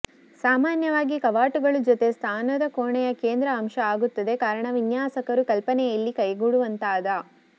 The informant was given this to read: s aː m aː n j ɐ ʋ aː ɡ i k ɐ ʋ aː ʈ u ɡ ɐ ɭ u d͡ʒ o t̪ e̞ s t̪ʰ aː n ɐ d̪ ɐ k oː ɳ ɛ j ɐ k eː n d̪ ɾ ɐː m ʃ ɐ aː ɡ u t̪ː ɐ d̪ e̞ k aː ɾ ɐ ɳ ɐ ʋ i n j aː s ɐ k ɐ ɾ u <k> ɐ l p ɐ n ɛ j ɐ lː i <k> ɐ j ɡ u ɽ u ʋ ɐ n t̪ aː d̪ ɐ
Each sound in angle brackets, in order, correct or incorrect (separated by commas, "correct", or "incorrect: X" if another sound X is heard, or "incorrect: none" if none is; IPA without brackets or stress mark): correct, correct